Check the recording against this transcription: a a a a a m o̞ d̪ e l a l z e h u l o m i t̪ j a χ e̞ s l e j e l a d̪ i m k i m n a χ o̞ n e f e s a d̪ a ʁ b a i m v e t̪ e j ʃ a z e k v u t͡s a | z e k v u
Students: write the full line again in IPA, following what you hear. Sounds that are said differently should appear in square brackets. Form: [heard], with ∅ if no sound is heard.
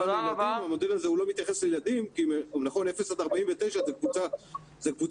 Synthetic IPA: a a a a a m o̞ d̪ e l a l z e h u l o m i t̪ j a χ e̞ s l e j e l a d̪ i m k i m n a χ o̞ n e f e s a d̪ a ʁ b a i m v e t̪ e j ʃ a z e k v u t͡s a | z e k v u